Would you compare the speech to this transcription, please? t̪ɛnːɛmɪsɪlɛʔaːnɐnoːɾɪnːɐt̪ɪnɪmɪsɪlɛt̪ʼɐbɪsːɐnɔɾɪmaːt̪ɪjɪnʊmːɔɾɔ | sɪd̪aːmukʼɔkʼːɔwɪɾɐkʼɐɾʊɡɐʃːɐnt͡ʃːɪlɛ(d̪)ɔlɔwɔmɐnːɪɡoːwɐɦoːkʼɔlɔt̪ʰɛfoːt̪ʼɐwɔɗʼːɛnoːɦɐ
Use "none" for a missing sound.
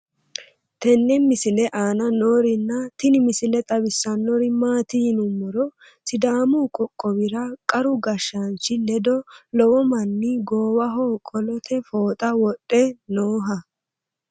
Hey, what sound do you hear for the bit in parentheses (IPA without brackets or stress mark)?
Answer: d̪